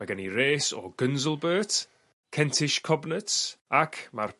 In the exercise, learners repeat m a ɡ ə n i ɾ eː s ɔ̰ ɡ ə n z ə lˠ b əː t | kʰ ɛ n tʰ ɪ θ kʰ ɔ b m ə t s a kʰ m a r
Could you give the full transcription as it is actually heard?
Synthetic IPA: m a ɡ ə n i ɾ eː s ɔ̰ ɡ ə n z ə lˠ b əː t | kʰ ɛ n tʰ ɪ ʃ kʰ ɔ b n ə t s a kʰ m a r